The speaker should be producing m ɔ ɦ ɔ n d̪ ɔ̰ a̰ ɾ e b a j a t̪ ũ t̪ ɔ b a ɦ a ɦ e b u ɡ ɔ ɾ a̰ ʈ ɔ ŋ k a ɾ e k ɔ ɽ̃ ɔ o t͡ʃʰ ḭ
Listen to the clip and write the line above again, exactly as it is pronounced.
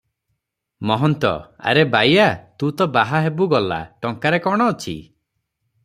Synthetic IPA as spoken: m ɔ ɦ ɔ n t̪ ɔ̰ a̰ ɾ e b a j a t̪ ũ t̪ ɔ b a ɦ a ɦ e b u ɡ ɔ l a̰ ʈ ɔ ŋ k a ɾ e k ɔ ɽ̃ ɔ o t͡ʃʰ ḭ

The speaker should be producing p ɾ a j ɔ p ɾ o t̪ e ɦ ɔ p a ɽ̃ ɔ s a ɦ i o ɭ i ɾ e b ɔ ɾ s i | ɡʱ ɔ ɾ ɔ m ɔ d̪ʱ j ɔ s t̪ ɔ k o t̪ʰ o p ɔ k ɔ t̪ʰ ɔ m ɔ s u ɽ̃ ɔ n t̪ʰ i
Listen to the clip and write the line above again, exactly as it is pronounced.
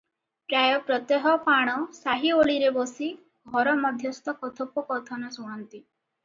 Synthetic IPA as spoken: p ɾ a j ɔ p ɾ ɔ t̪ e ɦ ɔ p a ɽ̃ ɔ s a ɦ i o ɭ i ɾ e b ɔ s i | ɡʱ ɔ ɾ ɔ m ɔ d̪ʱ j ɔ s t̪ ɔ k ɔ t̪ʰ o p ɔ k ɔ t̪ʰ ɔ n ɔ s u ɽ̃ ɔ n t̪ i

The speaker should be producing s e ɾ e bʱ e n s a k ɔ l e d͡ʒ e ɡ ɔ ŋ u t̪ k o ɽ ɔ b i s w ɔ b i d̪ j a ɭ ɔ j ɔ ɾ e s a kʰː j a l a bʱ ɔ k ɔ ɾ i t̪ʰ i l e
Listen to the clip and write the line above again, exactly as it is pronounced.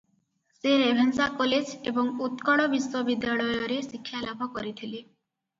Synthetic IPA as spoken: s e ɾ e bʱ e n s a k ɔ l e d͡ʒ e b ɔ ŋ u t̪ k ɔ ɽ ɔ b i s w ɔ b i d̪ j a ɭ ɔ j ɔ ɾ e s i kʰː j a l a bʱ ɔ k ɔ ɾ i t̪ʰ i l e

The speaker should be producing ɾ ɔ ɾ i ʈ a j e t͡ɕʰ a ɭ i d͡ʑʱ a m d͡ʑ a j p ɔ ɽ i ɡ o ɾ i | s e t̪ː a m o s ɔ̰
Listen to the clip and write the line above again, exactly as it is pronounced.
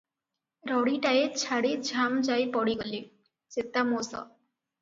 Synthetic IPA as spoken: ɾ ɔ ɽ i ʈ a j e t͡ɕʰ a ɽ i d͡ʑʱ a m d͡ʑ a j p ɔ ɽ i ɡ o l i | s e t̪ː a m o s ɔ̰

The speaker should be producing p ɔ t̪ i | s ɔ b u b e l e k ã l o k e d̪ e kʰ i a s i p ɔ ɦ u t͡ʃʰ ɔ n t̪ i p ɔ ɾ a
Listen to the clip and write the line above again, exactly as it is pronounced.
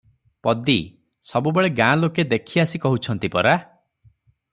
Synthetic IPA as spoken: p ɔ d̪ i | s ɔ b u b e ɭ e ɡ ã l o k e d̪ e kʰ i a s i k ɔ ɦ u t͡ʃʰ ɔ n t̪ i p ɔ ɾ a

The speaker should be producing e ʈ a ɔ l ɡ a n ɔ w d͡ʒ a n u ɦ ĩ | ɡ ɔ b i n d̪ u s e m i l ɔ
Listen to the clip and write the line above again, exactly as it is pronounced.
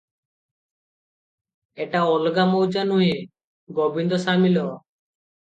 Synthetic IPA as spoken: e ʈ a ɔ l ɡ a m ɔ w d͡ʒ a n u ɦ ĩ | ɡ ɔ b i n d̪ ɔ s a m i l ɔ

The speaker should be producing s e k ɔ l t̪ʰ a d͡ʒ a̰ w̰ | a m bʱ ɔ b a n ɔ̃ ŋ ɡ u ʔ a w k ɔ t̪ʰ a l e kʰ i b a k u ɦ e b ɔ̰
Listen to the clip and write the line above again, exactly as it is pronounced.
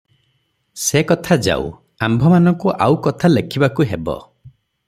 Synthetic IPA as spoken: s e k ɔ t̪ʰ a d͡ʒ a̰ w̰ | a m bʱ ɔ m a n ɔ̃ ŋ k u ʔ a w k ɔ t̪ʰ a l e kʰ i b a k u ɦ e b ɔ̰

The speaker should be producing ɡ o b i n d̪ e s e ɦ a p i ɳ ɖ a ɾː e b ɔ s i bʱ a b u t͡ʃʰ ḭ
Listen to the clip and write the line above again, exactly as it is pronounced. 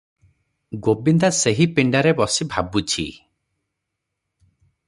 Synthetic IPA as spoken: ɡ o b i n d̪ a s e ɦ i p i ɳ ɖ a ɾ e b ɔ s i bʱ a b u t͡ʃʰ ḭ

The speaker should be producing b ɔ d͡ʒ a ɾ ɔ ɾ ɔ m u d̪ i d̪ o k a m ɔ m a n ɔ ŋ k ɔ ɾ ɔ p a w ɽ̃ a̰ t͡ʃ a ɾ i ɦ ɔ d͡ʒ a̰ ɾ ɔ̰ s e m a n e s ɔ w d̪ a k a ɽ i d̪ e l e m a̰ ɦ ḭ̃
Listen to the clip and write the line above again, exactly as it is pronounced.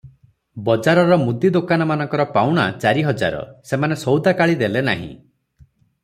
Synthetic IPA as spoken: b ɔ d͡ʒ a ɾ ɔ ɾ ɔ m u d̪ i d̪ o k a n ɔ m a n ɔ ŋ k ɔ ɾ ɔ p a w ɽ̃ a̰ t͡ʃ a ɾ i ɦ ɔ d͡ʒ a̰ ɾ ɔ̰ s e m a n e s ɔ w d̪ a k a ɭ i d̪ e l e n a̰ ɦ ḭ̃

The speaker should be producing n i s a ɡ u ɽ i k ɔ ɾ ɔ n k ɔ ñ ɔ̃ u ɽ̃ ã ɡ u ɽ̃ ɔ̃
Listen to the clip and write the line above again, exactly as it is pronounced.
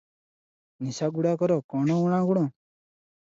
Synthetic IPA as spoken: n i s a ɡ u ɽ a k ɔ ɾ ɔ k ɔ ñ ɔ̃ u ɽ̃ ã ɡ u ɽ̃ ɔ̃

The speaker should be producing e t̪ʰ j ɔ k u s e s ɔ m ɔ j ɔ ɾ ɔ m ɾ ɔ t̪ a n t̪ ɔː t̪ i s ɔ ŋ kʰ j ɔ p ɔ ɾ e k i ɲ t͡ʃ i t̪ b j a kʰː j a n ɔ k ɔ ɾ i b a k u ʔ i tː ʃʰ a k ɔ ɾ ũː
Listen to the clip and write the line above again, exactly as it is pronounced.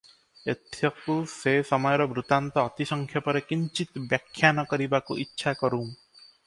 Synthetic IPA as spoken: e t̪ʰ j ɔ k u s e s ɔ m ɔ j ɔ ɾ ɔ b ɾ u t̪ a n t̪ ɔː t̪ i s ɔ ŋ kʰ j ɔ p ɔ ɾ e k i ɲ t͡ʃ i t̪ b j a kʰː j a n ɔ k ɔ ɾ i b a k u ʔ i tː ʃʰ a k ɔ ɾ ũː

